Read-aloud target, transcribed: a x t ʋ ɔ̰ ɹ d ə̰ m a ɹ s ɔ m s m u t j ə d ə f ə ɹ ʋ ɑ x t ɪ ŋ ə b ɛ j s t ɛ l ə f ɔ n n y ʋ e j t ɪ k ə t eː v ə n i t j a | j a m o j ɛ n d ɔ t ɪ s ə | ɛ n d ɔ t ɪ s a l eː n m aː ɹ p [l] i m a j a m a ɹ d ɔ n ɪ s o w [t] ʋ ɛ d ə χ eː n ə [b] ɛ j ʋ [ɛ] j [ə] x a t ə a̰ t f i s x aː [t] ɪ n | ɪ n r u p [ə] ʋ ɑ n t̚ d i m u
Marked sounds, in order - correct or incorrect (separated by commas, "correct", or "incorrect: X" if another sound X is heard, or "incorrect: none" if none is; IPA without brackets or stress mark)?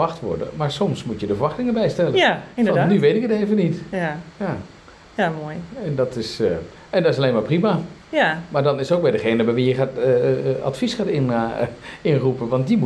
incorrect: r, incorrect: k, correct, incorrect: i, correct, correct, correct